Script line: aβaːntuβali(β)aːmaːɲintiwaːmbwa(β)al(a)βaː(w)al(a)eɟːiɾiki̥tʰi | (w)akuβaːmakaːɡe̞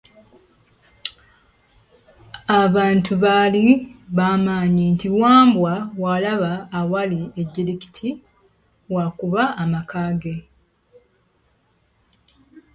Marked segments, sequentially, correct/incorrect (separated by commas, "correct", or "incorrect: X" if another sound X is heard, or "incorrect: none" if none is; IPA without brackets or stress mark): correct, incorrect: w, correct, correct, incorrect: i, correct